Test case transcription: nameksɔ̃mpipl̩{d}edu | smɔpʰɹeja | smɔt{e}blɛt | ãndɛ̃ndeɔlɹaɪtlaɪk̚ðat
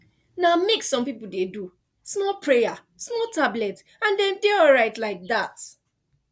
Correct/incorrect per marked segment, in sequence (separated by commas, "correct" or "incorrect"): correct, incorrect